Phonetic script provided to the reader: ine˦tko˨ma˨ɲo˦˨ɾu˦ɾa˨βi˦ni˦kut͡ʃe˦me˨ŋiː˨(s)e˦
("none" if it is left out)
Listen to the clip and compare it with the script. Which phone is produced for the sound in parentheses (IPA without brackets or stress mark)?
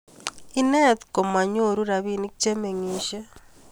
ʃ